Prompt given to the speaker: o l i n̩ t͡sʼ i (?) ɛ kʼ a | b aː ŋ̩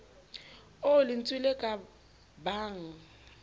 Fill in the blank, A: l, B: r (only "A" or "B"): A